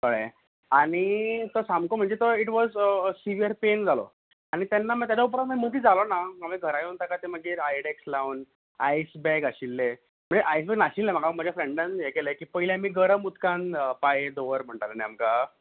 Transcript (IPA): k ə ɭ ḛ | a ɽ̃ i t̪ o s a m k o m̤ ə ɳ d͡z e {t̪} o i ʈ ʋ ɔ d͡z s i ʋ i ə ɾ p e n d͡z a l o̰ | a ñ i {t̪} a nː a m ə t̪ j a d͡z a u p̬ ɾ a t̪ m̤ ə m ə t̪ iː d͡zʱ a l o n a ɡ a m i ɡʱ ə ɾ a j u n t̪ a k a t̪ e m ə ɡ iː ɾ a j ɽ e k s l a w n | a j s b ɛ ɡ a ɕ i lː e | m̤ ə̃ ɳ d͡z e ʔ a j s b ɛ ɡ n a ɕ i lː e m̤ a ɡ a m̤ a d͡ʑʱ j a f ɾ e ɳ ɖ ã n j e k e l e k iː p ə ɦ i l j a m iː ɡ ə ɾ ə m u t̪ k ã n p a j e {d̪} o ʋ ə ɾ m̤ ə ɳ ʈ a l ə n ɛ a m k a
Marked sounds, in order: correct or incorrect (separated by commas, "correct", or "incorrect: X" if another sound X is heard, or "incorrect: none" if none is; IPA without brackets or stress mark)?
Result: correct, correct, correct